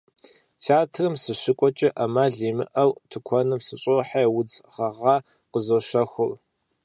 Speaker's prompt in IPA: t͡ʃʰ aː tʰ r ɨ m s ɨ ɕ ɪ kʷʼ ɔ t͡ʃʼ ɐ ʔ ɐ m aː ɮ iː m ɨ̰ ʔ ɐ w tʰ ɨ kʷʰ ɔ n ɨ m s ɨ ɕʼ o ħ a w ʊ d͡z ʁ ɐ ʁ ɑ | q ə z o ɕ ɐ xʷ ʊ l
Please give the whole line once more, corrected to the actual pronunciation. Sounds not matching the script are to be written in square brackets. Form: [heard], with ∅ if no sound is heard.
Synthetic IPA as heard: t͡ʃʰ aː tʰ r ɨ m s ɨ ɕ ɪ kʷʼ ɔ t͡ʃʼ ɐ ʔ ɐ m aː ɮ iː m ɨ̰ ʔ ɐ w tʰ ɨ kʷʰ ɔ n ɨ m s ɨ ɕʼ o ħ a w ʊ d͡z ʁ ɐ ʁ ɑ | q ə z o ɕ ɐ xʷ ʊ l